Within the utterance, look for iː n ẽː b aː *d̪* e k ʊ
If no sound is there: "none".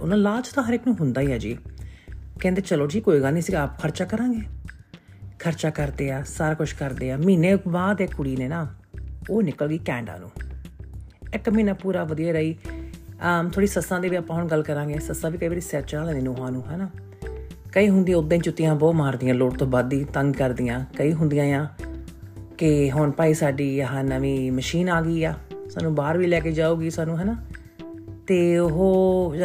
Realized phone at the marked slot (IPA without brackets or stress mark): d̪